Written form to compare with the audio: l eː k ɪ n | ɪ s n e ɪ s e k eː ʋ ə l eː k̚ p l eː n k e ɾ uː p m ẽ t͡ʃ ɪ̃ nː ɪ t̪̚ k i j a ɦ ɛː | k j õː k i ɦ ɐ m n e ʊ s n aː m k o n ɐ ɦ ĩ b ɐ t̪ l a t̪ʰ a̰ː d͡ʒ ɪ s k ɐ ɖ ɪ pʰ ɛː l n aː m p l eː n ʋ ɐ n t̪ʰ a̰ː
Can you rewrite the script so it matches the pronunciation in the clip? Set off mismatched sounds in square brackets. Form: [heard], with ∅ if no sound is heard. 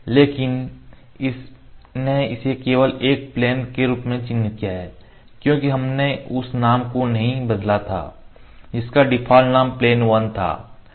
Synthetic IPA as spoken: l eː k ɪ n | ɪ s n e ɪ s e k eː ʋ ə l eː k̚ p l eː n k e ɾ uː p m ẽ t͡ʃ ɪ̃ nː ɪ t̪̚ k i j a ɦ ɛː | k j õː k i ɦ ɐ m n e ʊ s n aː m k o n ɐ ɦ ĩ b ɐ [d̪] l a t̪ʰ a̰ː d͡ʒ ɪ s k [a] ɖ ɪ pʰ [aː] l n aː m p l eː n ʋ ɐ n t̪ʰ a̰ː